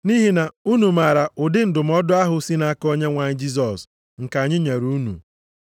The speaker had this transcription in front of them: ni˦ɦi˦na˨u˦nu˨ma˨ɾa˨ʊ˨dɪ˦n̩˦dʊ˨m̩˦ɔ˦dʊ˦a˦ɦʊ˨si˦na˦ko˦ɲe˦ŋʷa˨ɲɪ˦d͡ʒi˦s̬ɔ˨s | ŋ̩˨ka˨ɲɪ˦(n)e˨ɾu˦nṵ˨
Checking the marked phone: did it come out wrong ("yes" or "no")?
yes